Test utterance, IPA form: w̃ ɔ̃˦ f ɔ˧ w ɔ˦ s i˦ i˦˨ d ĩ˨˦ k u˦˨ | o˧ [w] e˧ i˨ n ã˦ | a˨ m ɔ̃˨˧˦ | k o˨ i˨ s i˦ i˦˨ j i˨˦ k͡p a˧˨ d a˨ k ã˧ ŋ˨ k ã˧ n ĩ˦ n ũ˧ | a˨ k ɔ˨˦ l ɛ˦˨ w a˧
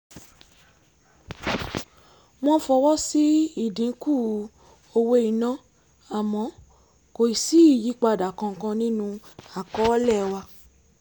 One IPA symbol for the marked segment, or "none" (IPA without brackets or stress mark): w